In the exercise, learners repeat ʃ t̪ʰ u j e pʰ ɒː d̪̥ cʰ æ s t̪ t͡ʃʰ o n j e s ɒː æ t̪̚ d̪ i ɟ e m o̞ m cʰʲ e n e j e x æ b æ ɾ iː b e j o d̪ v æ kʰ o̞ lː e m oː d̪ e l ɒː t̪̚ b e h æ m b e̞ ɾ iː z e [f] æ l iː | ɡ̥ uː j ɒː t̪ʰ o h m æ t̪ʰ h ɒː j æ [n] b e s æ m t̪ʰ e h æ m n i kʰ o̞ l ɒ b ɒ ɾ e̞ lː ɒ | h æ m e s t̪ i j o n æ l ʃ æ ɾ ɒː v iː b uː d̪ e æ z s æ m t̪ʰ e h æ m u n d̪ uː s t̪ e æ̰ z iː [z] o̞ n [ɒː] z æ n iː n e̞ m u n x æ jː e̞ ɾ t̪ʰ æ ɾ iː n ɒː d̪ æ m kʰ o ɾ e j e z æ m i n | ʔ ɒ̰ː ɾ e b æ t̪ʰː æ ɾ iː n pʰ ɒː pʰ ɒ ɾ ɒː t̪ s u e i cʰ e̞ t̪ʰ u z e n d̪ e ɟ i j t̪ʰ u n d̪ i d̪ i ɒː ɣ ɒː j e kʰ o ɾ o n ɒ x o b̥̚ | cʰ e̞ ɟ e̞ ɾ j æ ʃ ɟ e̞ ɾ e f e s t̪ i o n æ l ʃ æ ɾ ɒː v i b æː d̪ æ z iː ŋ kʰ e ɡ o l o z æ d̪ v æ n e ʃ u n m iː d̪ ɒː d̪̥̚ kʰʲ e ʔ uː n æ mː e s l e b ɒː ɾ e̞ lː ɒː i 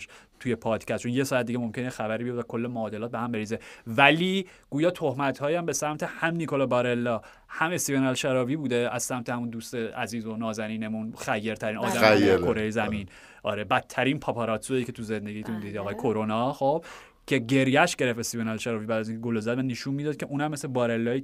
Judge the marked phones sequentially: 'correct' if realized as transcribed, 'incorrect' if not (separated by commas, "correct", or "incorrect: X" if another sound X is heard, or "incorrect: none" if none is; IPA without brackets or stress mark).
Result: incorrect: v, incorrect: m, correct, correct